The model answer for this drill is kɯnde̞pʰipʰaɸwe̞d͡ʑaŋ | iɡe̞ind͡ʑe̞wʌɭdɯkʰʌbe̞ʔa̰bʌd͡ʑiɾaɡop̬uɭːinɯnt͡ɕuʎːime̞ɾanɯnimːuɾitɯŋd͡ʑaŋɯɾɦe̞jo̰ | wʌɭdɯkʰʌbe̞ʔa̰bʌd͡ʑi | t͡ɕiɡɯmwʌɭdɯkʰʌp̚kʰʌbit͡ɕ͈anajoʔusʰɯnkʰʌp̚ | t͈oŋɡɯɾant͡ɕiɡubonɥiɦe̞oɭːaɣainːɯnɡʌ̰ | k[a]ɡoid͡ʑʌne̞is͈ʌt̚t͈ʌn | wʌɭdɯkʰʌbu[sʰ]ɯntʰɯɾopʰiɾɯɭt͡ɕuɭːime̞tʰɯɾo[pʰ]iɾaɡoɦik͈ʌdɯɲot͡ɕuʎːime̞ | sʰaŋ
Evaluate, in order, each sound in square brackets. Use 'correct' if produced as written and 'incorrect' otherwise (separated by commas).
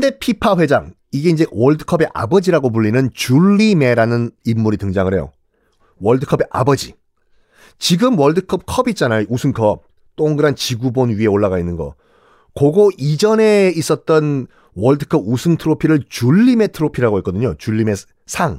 incorrect, correct, correct